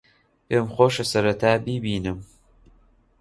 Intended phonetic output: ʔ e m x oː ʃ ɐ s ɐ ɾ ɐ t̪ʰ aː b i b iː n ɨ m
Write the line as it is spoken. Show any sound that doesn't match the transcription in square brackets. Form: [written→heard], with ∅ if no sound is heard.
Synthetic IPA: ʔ e m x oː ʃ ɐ s ɐ ɾ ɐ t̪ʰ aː b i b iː n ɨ m

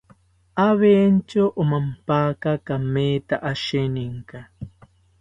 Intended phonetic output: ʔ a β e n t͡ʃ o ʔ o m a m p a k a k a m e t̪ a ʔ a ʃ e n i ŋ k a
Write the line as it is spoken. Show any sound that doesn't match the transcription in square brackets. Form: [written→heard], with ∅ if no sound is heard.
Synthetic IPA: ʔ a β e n t͡ʃ o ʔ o m a m p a k a k a m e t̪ a ʔ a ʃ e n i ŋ k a

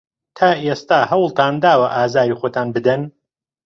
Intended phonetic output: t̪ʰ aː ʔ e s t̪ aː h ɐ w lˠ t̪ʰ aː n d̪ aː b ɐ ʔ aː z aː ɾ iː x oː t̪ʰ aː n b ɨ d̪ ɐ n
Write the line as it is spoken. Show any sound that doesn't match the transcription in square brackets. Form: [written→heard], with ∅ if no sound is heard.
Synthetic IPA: t̪ʰ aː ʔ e s t̪ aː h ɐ w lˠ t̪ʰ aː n d̪ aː [b→w] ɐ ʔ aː z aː ɾ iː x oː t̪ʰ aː n b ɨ d̪ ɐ n

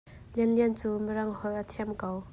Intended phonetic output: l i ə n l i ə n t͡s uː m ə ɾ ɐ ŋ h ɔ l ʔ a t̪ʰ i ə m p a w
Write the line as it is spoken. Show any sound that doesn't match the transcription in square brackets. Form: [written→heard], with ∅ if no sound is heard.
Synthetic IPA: l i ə n l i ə n t͡s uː m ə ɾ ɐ ŋ h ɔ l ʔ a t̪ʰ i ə m [p→k] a w

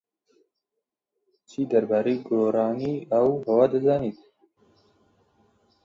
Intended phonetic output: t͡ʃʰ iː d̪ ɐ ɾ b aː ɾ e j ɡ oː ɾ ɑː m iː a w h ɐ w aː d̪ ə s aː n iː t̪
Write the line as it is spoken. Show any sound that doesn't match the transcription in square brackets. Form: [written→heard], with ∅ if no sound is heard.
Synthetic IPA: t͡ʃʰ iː d̪ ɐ ɾ b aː ɾ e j ɡ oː ɾ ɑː [m→n] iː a w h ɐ w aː d̪ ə [s→z] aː n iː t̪

